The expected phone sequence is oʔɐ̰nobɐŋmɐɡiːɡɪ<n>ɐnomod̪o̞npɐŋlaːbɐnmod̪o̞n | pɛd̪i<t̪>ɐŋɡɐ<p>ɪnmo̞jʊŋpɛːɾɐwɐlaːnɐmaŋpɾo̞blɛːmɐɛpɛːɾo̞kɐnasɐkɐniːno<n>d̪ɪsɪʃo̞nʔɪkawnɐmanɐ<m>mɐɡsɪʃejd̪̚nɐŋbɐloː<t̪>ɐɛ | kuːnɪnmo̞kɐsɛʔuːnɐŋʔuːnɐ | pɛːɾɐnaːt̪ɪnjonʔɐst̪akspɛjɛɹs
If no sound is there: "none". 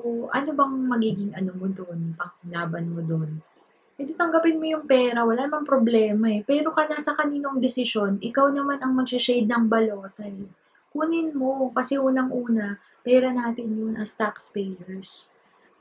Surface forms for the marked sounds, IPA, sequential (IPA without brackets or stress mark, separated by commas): ŋ, t̪, p, ŋ, ŋ, t̪